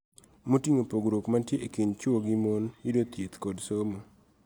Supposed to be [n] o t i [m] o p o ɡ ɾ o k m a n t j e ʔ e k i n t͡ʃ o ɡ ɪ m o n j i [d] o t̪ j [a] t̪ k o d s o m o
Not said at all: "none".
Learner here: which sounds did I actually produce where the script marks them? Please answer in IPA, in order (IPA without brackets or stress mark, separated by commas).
m, ŋ, d, e